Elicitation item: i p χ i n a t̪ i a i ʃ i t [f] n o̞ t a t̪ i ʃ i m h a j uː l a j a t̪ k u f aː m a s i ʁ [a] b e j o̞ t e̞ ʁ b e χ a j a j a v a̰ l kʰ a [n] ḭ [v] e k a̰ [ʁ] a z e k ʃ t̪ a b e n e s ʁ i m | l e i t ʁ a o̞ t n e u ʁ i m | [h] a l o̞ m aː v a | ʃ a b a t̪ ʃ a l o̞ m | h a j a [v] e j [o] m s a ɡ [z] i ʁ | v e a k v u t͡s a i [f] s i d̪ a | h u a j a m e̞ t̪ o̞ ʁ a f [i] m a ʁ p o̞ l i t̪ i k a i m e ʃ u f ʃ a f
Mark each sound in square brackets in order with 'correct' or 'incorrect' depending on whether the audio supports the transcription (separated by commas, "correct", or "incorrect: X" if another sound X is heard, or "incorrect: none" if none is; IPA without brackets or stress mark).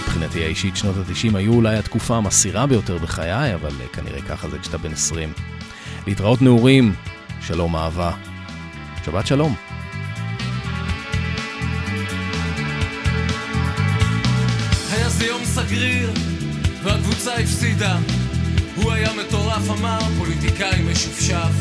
incorrect: ʃ, correct, correct, incorrect: ʁ, incorrect: χ, incorrect: ʃ, incorrect: z, correct, incorrect: ʁ, correct, incorrect: a